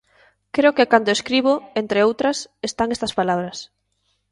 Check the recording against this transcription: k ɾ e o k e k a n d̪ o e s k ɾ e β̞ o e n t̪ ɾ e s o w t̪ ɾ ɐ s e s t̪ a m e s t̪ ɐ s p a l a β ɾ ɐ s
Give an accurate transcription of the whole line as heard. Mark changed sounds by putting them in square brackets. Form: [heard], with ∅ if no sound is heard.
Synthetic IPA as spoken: k ɾ e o k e k a n d̪ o e s k ɾ [i] β̞ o e n t̪ ɾ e [∅] o w t̪ ɾ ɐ s e s t̪ a [ŋ] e s t̪ ɐ s p a l a β ɾ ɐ s